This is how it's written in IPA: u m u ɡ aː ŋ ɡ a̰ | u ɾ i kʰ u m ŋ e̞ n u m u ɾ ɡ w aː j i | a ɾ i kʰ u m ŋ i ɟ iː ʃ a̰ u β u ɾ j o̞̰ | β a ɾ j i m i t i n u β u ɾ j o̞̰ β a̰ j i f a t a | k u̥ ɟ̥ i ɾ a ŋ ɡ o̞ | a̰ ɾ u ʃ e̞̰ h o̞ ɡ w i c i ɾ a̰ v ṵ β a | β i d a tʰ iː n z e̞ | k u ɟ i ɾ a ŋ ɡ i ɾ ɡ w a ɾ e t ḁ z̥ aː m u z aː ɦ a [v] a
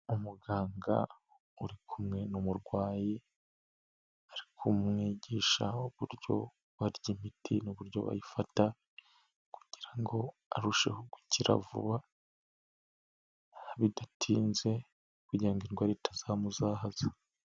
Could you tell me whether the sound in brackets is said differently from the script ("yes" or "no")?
yes